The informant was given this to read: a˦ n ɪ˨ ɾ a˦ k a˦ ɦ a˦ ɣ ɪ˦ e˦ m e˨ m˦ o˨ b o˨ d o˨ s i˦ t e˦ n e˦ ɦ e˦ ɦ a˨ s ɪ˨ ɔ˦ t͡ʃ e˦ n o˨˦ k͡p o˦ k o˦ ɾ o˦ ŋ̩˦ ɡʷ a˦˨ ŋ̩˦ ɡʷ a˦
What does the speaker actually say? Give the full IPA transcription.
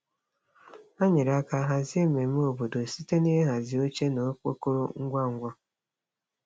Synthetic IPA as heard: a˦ ɲ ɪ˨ ɾ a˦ k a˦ ɦ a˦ z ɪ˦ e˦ m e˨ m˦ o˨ b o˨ d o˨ s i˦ t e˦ n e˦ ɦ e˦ ɦ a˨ z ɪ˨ o˦ t͡ʃ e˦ n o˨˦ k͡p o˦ k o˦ ɾ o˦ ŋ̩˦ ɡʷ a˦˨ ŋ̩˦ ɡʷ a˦